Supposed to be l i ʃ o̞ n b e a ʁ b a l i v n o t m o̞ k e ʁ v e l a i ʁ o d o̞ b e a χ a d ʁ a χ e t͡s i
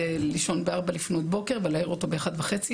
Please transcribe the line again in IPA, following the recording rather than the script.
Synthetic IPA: l i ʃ o̞ n b e a ʁ b a l i f n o t b o̞ k e ʁ v e l a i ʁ o t o̞ b e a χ a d v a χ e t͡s i